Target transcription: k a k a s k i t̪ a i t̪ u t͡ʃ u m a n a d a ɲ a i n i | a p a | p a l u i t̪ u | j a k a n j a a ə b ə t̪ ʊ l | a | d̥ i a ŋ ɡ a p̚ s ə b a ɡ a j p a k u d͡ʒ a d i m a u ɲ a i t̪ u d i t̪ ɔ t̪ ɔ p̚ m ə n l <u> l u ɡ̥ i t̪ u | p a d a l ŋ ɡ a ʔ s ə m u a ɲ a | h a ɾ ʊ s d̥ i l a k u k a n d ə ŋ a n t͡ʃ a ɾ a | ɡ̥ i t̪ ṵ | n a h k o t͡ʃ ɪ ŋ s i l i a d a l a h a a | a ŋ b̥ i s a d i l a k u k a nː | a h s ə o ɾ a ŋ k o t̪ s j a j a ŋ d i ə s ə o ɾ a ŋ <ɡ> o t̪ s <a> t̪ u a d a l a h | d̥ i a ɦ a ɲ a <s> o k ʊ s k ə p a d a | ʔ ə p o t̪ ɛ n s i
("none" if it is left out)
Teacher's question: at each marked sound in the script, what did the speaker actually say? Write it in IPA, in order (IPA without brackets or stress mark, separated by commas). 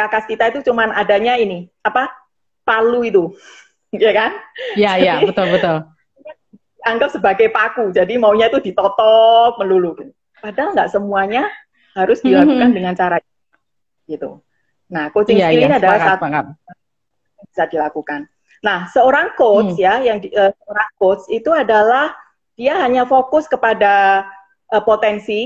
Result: u, k, i, f